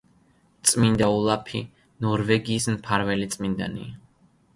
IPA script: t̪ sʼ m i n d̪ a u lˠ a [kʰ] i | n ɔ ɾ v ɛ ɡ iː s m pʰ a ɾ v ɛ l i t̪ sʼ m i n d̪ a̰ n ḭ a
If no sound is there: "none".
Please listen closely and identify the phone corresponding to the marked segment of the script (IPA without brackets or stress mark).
pʰ